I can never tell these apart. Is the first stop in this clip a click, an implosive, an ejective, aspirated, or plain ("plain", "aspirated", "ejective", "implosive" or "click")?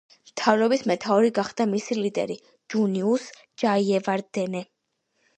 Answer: aspirated